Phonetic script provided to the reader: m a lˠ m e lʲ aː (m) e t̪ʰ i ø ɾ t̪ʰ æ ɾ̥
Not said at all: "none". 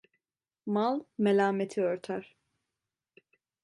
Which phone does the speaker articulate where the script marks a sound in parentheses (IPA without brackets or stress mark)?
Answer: m